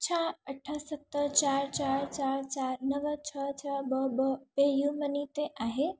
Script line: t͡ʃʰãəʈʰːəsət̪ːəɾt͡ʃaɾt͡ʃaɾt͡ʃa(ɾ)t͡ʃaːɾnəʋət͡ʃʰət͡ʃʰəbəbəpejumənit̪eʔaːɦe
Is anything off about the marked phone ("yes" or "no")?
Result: no